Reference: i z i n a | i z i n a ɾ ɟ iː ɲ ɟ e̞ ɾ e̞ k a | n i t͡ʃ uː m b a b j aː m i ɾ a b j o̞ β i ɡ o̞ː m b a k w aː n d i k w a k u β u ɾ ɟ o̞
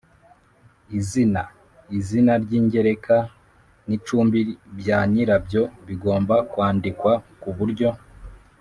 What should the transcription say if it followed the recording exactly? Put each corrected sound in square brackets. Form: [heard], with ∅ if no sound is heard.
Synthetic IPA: i z i n a | i z i n a ɾ ɟ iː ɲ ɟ e̞ ɾ e̞ k a | n i t͡ʃ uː m b [i] b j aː [ɲ] i ɾ a b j o̞ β i ɡ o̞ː m b a k w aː n d i k w a k u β u ɾ ɟ o̞